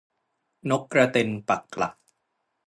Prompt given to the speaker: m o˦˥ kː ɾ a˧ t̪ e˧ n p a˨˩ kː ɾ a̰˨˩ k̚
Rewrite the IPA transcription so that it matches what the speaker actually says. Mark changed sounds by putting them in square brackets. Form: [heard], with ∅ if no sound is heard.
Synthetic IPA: [n] o˦˥ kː ɾ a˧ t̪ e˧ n p a˨˩ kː [l] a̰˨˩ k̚